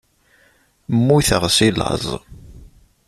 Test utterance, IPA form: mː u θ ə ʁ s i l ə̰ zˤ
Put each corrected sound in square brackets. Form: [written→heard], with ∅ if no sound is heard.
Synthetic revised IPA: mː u θ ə ʁ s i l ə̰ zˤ

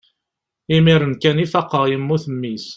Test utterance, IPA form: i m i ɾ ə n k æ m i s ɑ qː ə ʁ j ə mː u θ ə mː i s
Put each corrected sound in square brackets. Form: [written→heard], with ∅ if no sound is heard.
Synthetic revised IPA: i m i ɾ ə n k æ [m→n] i [s→f] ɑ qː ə ʁ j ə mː u θ ə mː i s

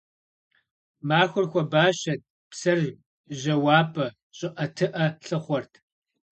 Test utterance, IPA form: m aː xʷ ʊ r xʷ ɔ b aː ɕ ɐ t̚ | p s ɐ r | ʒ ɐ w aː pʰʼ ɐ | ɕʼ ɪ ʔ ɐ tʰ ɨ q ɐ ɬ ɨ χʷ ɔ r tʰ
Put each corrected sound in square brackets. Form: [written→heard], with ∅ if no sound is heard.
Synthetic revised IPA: m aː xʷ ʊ r xʷ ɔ b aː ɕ ɐ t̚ | p s ɐ r | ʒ ɐ w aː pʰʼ ɐ | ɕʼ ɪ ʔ ɐ tʰ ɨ [q→ʔ] ɐ ɬ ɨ χʷ ɔ r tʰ

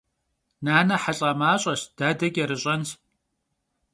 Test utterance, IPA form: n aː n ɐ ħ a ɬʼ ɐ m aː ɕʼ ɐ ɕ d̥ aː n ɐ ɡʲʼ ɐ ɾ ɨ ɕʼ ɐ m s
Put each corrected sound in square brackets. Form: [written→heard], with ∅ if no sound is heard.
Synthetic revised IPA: n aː n ɐ ħ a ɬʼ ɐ m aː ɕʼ ɐ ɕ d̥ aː [n→d] ɐ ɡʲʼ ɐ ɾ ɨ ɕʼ ɐ [m→n] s

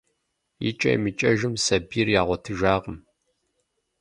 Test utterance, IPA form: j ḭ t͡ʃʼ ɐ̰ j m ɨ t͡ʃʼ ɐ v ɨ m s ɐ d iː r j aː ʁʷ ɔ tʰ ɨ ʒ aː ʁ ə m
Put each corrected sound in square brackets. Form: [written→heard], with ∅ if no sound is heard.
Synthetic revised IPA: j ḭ t͡ʃʼ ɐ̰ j m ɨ t͡ʃʼ ɐ [v→ʒ] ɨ m s ɐ [d→b] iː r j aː ʁʷ ɔ tʰ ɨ ʒ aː ʁ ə m

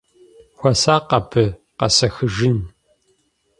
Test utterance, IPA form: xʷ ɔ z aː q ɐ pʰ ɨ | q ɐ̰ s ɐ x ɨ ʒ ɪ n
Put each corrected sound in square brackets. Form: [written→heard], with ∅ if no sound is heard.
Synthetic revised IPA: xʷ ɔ [z→s] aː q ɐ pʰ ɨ | q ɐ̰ s ɐ x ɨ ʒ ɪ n

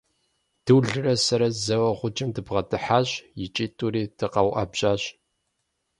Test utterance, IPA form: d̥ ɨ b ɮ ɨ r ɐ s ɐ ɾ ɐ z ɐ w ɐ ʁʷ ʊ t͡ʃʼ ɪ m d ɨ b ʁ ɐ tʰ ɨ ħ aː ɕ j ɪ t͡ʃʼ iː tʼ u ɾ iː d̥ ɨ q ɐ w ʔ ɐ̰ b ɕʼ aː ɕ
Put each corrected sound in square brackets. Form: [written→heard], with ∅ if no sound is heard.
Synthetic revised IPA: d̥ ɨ [b→w] ɮ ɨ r ɐ s ɐ ɾ ɐ z ɐ w ɐ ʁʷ ʊ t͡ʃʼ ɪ m d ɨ b ʁ ɐ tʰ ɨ ħ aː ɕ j ɪ t͡ʃʼ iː tʼ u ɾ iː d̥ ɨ q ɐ w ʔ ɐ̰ b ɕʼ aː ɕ

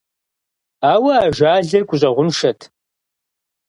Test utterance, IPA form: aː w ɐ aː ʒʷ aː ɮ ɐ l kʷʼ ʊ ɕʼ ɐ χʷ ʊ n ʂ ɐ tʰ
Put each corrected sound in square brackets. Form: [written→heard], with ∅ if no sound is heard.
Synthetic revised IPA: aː w ɐ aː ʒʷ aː ɮ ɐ [l→r] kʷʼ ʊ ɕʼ ɐ [χʷ→ʁʷ] ʊ n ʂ ɐ tʰ

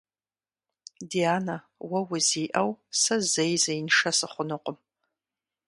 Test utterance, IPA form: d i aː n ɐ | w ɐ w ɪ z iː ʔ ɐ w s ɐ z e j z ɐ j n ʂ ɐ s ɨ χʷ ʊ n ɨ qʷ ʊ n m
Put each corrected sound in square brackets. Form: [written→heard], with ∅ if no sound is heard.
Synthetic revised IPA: d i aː n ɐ | w ɐ w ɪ z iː ʔ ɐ w s ɐ z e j z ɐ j n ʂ ɐ s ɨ χʷ ʊ n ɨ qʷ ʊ [n→∅] m

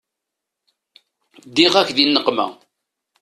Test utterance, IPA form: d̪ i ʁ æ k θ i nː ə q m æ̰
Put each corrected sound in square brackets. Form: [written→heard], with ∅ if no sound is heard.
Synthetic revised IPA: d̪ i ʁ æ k [θ→ð] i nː ə q m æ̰

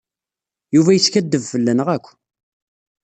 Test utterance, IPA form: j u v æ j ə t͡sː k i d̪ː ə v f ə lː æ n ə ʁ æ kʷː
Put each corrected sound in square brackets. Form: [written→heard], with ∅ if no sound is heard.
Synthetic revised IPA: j u v æ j ə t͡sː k [i→æ] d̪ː ə v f ə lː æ n ə ʁ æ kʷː

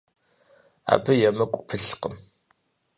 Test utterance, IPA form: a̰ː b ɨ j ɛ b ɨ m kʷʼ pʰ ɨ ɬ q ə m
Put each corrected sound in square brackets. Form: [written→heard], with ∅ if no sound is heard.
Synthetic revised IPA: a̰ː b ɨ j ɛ [b→m] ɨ [m→∅] kʷʼ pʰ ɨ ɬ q ə m

